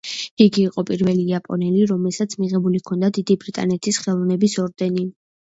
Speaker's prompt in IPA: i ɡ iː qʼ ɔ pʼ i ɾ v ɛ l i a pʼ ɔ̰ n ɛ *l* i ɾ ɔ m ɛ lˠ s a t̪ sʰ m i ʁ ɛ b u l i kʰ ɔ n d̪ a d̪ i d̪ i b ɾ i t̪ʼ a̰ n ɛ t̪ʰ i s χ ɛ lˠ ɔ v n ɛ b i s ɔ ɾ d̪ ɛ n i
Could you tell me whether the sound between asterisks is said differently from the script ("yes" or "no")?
no